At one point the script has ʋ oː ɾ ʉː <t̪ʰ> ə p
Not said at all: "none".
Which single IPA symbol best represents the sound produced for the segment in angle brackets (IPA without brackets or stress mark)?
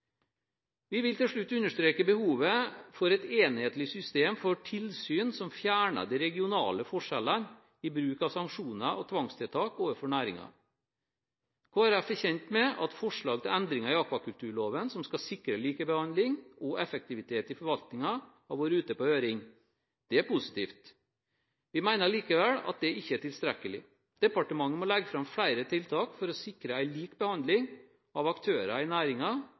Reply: t̪